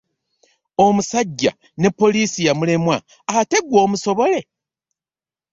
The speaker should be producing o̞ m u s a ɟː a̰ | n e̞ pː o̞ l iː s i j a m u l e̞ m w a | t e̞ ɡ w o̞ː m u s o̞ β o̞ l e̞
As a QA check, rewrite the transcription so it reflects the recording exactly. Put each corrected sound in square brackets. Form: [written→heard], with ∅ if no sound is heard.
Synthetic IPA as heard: o̞ m u s a ɟː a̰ | n e̞ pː o̞ l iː s i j a m u l e̞ m w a | t e̞ ɡ w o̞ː m u s o̞ β o̞ l e̞